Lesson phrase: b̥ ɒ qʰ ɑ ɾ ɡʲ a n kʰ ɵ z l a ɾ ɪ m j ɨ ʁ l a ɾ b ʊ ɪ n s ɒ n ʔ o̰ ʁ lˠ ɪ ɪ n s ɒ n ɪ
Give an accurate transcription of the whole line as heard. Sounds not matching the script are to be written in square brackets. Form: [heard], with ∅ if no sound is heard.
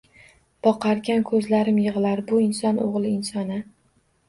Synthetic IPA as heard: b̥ ɒ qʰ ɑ ɾ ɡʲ a n kʰ ɵ z l a ɾ ɪ m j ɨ ʁ l a ɾ b ʊ ɪ n s ɒ n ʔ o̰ ʁ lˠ ɪ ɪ n s ɒ n ɪ